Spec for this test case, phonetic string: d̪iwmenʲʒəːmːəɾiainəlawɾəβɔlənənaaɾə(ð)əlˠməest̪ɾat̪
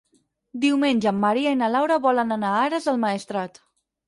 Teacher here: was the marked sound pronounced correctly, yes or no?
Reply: no